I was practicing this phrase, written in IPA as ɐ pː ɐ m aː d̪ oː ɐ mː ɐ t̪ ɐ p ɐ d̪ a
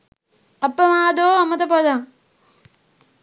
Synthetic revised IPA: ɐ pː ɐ m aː d̪ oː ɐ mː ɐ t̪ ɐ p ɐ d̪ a